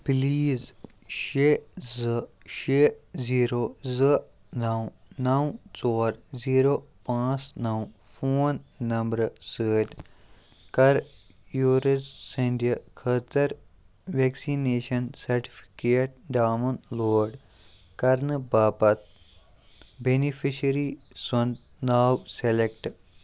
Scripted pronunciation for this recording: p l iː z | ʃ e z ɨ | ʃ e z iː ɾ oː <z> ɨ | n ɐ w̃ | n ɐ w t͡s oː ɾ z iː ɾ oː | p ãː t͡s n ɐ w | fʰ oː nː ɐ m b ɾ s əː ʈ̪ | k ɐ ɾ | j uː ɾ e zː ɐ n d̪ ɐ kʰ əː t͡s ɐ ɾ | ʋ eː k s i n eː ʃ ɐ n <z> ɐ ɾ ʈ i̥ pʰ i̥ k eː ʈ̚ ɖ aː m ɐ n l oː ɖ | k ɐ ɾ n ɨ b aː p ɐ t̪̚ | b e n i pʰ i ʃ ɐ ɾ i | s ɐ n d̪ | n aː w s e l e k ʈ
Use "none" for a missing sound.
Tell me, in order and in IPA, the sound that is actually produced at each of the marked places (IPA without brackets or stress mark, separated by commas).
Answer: z, s